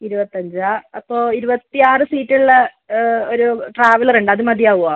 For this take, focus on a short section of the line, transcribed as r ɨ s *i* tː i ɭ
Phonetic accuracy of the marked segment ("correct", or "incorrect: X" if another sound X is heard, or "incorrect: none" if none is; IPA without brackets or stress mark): incorrect: iː